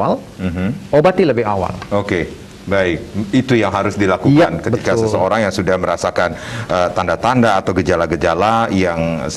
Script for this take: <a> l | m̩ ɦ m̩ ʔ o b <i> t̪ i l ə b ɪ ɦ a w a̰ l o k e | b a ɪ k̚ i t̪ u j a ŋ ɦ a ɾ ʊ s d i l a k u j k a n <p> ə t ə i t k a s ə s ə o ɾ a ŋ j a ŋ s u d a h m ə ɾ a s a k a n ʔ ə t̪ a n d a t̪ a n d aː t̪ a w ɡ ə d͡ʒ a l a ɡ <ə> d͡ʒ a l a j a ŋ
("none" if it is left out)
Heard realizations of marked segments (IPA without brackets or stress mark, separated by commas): a, a, k, ə